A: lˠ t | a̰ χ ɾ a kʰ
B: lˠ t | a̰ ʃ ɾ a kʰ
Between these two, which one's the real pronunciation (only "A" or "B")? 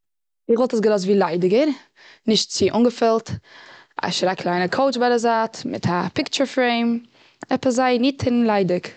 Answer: B